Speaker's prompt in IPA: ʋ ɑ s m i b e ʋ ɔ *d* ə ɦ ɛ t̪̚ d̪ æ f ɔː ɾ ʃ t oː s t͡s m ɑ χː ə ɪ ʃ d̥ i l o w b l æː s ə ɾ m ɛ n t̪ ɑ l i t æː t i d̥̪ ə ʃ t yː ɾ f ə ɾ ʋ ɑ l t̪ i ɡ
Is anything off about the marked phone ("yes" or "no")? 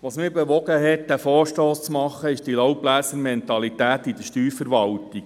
yes